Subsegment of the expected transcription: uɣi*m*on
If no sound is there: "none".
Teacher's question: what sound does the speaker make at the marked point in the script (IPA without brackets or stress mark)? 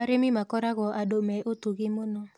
m